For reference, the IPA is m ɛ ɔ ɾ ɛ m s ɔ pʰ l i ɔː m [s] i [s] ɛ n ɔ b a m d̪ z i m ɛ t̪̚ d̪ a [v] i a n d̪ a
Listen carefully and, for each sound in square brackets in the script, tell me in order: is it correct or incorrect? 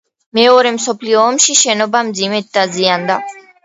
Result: incorrect, incorrect, incorrect

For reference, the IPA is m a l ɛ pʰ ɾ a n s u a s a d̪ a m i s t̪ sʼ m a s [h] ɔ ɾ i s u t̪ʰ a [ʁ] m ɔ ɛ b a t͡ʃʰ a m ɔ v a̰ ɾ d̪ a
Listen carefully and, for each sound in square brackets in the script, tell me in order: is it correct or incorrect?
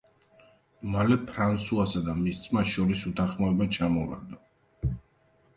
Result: incorrect, incorrect

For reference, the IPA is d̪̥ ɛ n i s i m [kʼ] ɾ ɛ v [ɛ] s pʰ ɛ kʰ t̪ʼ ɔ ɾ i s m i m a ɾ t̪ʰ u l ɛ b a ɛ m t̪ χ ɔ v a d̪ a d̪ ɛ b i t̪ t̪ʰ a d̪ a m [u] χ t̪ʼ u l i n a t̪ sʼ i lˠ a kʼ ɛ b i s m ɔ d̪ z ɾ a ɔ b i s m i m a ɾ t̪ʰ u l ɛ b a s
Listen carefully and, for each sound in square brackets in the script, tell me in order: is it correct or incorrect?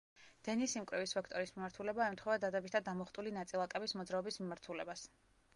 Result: correct, incorrect, incorrect

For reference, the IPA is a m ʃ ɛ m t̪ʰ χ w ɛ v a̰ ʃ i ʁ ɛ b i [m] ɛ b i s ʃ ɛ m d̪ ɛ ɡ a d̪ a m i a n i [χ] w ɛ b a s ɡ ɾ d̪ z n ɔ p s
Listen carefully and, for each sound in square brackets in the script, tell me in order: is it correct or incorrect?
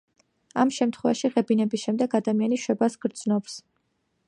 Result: incorrect, incorrect

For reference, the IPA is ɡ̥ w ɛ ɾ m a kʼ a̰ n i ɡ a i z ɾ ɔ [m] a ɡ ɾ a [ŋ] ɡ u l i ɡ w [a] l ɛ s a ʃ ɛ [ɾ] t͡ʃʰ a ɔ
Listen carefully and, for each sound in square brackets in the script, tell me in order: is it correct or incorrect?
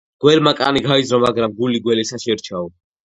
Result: correct, incorrect, incorrect, correct

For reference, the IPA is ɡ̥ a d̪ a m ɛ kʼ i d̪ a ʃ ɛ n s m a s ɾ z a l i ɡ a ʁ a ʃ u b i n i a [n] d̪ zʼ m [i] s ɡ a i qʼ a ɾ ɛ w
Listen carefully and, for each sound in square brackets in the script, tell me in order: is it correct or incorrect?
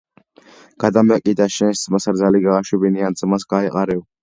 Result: correct, incorrect

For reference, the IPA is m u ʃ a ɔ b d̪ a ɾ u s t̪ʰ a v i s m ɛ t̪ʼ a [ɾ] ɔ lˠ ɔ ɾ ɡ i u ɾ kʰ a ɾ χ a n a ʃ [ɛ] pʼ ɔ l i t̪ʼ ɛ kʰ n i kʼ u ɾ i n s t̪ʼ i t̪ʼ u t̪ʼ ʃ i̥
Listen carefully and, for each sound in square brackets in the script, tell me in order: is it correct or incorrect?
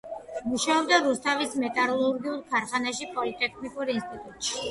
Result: correct, incorrect

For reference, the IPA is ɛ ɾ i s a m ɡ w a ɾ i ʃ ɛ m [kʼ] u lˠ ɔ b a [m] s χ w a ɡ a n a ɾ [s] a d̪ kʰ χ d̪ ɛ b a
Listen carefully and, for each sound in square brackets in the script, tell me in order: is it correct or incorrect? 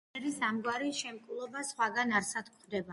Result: correct, incorrect, correct

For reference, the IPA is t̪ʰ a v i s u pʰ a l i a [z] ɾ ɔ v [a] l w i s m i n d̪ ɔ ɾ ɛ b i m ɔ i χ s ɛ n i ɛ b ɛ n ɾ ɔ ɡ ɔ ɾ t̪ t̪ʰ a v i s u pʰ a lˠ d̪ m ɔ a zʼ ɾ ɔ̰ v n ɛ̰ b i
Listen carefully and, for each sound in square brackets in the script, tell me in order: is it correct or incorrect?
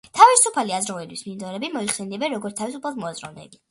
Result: correct, incorrect

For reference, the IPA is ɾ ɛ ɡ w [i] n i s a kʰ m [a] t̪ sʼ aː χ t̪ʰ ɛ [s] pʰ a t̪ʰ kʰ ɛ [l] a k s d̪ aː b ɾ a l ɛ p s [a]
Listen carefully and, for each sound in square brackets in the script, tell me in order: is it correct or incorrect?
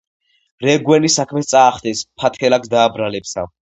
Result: incorrect, incorrect, correct, correct, correct

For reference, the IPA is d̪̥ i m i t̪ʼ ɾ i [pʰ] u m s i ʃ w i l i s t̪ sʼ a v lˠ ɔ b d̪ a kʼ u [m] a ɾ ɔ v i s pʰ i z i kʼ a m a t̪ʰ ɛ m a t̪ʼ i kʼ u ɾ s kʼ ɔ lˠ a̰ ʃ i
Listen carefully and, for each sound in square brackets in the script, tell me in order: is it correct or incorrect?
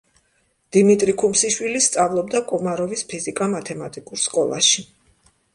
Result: incorrect, correct

